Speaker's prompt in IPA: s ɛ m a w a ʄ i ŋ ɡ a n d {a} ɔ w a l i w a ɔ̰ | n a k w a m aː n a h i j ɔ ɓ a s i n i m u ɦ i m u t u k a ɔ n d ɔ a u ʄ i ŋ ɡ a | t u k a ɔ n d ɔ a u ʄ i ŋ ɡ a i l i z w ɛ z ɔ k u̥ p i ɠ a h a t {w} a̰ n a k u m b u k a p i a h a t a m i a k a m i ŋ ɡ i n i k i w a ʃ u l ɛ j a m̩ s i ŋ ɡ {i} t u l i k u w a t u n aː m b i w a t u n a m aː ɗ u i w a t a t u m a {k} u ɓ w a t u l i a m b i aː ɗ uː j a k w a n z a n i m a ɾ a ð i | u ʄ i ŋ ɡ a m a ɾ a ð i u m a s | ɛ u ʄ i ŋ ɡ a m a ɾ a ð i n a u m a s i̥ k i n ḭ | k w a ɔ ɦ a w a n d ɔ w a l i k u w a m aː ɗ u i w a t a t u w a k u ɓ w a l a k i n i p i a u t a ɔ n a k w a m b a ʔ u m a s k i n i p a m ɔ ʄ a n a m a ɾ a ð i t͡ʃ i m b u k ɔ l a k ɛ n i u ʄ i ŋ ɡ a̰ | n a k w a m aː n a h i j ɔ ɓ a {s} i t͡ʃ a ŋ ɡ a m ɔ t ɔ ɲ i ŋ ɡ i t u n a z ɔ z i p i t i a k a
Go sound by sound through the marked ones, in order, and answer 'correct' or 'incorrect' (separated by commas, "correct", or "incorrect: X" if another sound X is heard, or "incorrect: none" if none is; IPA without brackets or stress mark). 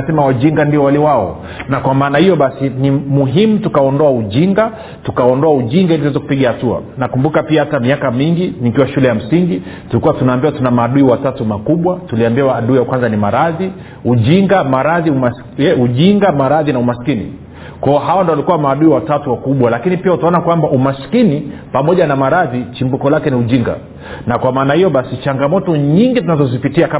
incorrect: i, incorrect: u, correct, correct, correct